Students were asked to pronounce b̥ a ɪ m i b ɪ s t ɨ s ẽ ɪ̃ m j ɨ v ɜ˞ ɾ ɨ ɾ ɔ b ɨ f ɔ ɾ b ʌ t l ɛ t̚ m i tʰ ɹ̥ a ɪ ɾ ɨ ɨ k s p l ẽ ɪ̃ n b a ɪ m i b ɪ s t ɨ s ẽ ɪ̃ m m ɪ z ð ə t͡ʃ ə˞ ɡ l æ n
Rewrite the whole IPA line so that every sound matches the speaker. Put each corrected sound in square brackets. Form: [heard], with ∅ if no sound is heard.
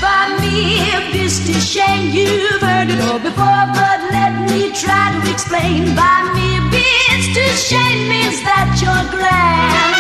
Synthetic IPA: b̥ a ɪ m i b ɪ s t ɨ [ʃ] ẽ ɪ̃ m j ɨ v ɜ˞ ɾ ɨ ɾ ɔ b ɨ f ɔ [ɹ] b ʌ t l ɛ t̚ m i tʰ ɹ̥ a ɪ ɾ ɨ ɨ k s p l ẽ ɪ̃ n b a ɪ m i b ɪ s t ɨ [ʃ] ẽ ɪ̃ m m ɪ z ð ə t͡ʃ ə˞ ɡ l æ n